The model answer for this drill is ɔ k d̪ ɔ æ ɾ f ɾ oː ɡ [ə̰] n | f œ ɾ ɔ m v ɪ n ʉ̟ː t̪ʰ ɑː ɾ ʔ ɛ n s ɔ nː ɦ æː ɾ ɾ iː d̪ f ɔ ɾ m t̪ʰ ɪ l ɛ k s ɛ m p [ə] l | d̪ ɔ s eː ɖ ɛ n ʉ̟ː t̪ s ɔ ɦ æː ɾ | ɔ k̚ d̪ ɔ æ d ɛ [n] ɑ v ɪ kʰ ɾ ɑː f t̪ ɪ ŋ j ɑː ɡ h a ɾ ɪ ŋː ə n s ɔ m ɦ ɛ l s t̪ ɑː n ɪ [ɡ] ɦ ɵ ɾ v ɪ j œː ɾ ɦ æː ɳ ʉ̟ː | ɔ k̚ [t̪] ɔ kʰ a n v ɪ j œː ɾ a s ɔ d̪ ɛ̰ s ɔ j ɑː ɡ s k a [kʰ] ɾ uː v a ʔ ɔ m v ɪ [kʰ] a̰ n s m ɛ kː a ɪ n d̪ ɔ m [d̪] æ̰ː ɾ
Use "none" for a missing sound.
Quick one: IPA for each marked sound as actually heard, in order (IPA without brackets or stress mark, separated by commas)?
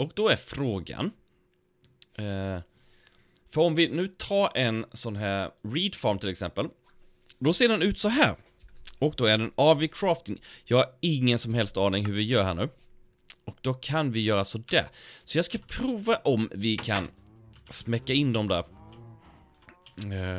a̰, ə, n, ŋ, d̪, pʰ, kʰ, d̪